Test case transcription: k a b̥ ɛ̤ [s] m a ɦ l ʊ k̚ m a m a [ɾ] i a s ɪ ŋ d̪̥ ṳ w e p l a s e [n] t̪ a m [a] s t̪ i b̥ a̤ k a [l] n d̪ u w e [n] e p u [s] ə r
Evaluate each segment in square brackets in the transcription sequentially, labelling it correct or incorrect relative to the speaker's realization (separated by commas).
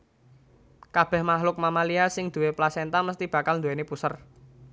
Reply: incorrect, incorrect, correct, incorrect, correct, correct, correct